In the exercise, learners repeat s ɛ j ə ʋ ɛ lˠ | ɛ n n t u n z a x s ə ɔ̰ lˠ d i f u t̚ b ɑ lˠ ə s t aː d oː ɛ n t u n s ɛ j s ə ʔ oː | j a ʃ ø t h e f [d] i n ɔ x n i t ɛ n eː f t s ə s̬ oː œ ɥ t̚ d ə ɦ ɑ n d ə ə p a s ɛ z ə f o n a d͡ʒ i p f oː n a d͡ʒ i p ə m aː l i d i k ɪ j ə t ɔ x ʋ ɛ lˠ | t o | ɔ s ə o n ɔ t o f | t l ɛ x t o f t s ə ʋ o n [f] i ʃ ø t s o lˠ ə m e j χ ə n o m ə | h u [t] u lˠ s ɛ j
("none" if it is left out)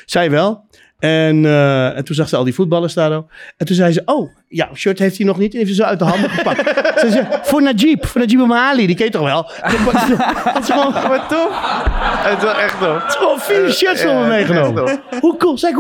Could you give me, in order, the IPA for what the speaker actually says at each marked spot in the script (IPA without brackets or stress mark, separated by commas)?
t, f, k